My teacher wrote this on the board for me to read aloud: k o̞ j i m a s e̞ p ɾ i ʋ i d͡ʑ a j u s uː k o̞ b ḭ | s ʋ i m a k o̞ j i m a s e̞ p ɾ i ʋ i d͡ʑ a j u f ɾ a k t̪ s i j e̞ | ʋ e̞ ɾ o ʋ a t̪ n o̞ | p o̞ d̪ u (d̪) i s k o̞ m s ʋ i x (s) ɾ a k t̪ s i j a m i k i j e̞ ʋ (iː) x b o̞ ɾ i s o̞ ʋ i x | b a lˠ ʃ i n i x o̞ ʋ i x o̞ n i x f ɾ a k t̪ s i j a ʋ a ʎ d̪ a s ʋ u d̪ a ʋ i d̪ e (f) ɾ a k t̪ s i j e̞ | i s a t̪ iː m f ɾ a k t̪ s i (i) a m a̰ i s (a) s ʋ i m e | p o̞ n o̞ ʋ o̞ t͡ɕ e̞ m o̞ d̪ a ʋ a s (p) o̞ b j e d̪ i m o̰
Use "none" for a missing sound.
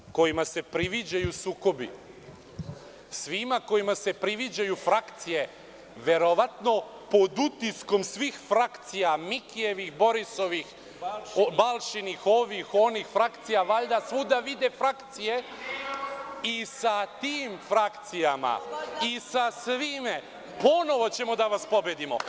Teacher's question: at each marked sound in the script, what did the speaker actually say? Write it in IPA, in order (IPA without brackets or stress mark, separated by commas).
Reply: t̪, f, i, f, j, a, p